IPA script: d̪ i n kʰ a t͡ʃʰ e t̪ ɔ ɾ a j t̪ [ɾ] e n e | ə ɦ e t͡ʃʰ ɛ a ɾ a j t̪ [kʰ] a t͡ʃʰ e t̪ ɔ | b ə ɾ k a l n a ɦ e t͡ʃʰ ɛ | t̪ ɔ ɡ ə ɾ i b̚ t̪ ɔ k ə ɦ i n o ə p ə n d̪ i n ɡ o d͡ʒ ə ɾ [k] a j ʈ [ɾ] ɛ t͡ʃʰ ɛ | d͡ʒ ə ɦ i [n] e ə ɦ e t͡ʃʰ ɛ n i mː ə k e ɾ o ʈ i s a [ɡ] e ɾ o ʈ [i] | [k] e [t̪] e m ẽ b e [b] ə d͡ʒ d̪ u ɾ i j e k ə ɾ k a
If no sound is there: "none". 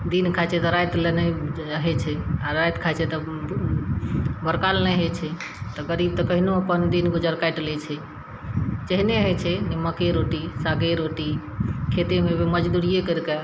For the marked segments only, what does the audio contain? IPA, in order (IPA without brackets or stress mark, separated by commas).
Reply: l, kʰ, k, l, n, ɡ, i, kʰ, t̪, m